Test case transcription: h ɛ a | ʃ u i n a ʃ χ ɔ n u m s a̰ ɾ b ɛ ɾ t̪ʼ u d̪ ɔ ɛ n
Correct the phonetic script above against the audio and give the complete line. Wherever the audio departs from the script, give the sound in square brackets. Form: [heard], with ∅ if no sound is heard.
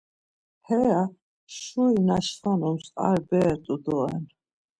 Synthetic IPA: h ɛ a | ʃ u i n a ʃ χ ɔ n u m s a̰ ɾ b ɛ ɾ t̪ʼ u d̪ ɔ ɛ n